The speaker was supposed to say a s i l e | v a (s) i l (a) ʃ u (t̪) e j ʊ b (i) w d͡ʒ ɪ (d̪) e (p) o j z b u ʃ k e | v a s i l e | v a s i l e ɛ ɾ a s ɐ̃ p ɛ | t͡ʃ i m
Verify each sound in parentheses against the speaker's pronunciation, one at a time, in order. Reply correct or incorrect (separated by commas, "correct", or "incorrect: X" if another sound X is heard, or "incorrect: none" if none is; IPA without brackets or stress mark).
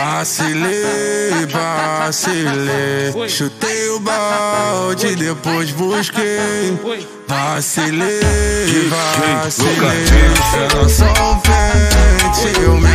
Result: correct, incorrect: e, correct, incorrect: a, correct, correct